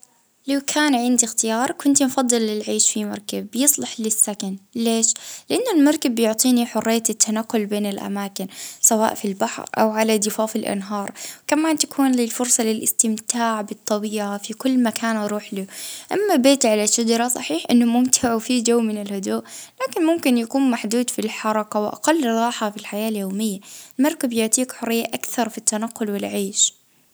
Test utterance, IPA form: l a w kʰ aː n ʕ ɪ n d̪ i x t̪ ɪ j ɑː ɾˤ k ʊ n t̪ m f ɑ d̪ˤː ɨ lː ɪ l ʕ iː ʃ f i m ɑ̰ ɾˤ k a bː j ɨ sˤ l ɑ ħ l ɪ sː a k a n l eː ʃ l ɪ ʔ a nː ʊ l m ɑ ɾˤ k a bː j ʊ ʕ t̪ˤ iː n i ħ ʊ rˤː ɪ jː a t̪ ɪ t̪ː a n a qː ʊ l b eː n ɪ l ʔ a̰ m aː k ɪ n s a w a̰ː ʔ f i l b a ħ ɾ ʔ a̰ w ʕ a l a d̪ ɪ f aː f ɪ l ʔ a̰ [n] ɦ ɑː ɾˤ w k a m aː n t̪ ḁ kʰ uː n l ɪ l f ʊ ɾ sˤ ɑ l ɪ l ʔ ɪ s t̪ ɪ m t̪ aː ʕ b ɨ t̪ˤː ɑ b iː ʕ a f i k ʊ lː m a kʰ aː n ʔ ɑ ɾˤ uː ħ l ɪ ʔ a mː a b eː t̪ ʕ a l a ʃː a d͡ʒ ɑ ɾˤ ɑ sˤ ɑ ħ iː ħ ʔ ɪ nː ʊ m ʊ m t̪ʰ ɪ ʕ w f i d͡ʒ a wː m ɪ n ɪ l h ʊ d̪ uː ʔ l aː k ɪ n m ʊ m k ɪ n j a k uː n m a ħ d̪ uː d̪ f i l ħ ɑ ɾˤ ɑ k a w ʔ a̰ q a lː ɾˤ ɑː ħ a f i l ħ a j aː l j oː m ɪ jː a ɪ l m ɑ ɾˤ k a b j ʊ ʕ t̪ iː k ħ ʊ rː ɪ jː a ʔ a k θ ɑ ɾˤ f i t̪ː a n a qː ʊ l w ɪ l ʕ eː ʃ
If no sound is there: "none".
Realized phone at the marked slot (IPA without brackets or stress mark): n